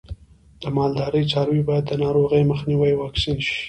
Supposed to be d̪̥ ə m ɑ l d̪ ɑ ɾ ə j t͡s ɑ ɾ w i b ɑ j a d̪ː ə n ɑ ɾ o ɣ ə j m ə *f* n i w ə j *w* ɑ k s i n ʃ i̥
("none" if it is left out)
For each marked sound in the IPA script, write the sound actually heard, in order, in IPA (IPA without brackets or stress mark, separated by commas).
x, w